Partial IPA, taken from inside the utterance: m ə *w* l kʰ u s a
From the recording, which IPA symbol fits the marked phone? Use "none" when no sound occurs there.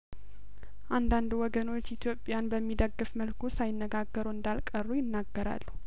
none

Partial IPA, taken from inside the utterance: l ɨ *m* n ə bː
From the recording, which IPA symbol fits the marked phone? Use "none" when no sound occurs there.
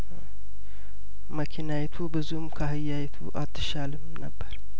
m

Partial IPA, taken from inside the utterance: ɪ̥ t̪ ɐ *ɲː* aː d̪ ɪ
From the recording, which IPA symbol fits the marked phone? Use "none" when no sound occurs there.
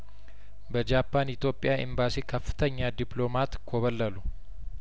ɲː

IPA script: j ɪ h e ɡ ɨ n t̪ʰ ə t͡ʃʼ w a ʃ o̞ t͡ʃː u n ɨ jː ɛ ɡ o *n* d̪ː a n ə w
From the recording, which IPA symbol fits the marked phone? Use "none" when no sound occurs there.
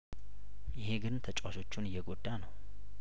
none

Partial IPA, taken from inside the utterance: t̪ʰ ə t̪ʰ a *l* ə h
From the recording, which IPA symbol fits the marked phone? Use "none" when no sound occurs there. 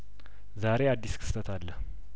lː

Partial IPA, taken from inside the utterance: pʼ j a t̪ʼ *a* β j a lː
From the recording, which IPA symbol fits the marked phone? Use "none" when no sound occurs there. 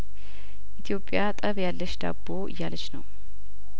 ə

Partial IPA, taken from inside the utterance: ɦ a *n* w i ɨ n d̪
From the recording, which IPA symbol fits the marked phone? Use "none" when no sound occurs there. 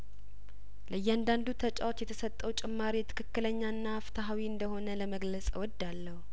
none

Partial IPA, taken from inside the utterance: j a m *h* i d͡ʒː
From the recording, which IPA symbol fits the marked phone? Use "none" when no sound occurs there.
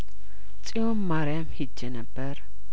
h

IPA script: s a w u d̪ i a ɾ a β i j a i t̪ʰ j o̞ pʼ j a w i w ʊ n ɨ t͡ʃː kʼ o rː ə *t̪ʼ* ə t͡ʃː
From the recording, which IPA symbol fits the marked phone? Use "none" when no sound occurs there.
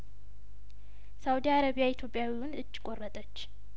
t̪ʼ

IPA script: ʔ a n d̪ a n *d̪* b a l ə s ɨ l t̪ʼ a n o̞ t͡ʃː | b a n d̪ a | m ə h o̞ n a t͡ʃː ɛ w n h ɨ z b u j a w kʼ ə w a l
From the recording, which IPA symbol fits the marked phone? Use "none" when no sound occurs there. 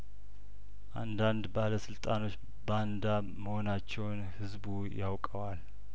d̪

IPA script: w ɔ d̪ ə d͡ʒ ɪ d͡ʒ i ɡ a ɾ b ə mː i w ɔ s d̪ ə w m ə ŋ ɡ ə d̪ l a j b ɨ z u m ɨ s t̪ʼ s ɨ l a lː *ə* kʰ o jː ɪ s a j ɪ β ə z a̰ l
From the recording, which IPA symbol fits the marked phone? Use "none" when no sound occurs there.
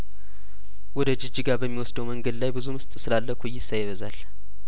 ə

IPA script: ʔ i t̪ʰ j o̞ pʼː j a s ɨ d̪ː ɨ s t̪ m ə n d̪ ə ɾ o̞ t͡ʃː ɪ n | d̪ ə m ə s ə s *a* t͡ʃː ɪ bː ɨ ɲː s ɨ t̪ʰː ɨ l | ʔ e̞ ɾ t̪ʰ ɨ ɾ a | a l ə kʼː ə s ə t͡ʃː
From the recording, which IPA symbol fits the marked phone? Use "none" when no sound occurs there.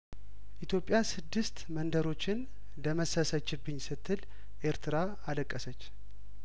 ə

